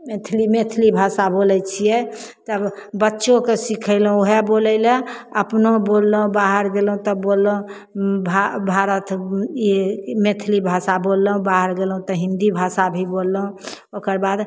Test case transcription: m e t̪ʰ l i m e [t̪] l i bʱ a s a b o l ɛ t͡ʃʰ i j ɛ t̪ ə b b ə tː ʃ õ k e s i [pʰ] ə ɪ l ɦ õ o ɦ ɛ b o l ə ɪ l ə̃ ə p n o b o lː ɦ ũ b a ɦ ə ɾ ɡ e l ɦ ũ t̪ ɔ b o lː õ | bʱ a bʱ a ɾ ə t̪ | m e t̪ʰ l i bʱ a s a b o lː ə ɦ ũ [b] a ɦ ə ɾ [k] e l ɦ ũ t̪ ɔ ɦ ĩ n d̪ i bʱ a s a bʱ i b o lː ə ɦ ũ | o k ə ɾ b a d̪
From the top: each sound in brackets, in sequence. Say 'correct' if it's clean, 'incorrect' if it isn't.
incorrect: t̪ʰ, incorrect: kʰ, correct, incorrect: ɡ

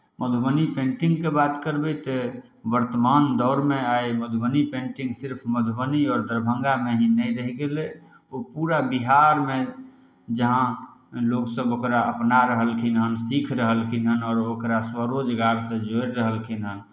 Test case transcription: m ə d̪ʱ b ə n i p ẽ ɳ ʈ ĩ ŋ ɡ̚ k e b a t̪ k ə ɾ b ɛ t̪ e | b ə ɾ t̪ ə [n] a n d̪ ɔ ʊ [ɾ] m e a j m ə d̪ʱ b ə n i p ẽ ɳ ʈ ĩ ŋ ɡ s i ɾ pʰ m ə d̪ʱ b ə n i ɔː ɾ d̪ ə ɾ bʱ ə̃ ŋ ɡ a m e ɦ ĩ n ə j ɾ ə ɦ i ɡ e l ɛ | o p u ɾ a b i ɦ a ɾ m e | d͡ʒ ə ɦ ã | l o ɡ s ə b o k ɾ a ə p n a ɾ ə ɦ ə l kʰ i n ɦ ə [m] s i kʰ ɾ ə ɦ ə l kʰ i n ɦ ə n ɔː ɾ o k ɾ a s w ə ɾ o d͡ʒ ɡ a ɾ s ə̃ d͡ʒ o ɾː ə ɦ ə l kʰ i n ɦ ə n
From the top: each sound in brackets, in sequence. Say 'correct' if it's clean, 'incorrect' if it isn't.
incorrect: m, correct, incorrect: n

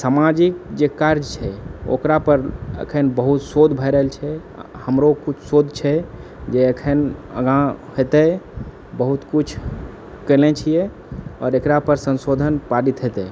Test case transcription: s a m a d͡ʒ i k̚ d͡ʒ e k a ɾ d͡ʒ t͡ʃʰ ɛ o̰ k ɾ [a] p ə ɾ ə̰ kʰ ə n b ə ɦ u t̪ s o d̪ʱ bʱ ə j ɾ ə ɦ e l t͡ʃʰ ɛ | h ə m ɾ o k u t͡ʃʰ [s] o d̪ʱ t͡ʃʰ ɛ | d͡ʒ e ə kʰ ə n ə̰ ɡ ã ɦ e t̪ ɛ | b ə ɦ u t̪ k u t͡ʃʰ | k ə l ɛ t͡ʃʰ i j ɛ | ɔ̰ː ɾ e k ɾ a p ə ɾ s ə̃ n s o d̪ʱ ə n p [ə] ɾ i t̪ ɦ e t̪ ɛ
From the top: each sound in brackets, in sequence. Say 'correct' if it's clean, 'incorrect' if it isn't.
correct, correct, incorrect: a

